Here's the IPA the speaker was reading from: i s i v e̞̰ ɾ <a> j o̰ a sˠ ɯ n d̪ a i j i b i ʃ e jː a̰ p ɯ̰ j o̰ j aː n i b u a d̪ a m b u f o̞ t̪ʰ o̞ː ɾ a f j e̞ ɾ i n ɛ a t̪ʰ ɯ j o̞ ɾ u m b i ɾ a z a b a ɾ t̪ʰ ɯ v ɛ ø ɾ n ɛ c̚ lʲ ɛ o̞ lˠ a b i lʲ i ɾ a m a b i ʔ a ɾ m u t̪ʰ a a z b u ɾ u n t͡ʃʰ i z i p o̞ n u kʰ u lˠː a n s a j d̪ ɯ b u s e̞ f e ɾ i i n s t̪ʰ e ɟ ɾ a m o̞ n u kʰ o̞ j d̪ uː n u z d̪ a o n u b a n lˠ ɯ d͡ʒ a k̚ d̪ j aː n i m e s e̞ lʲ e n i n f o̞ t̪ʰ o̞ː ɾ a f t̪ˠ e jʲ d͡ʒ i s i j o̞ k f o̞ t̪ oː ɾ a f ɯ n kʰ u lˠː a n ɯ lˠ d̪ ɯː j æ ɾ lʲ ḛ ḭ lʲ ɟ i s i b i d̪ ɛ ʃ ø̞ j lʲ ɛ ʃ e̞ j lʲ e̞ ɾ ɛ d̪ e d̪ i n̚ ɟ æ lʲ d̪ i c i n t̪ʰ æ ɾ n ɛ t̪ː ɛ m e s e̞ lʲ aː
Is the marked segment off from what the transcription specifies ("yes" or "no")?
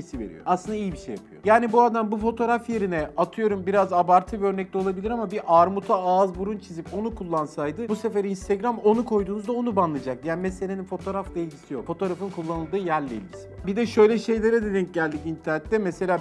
yes